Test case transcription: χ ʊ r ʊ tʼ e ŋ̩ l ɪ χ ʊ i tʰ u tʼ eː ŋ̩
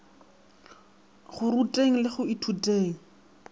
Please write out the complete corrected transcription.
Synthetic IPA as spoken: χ ʊ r u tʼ e ŋ̩ l ɪ χ ʊ i tʰ u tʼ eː ŋ̩